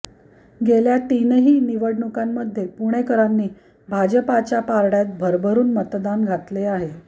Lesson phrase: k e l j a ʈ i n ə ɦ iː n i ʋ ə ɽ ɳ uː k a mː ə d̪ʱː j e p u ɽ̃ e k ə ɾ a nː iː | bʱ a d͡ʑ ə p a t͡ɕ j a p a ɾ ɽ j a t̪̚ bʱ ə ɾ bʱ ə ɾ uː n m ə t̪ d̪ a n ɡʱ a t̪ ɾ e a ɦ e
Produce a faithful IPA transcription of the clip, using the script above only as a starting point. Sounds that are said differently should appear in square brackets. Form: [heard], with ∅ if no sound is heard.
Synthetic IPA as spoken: [ɡ] e l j a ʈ i n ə ɦ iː n i ʋ ə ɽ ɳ [u] k a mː ə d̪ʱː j e p u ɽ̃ e k ə ɾ a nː iː | bʱ a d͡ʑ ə p a t͡ɕ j a p a ɾ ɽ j a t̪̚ bʱ ə ɾ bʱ ə ɾ uː n m ə t̪ d̪ a n ɡʱ a t̪ [l] e a ɦ e